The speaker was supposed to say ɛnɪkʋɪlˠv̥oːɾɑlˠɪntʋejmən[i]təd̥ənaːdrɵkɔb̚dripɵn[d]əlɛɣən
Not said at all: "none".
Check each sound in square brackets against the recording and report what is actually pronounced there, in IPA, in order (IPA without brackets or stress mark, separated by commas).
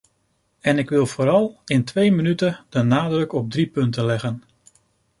y, t